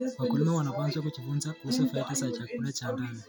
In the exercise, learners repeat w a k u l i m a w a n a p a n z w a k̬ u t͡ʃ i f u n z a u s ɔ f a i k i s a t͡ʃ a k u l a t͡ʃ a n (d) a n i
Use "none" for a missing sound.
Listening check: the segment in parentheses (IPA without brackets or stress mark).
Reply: d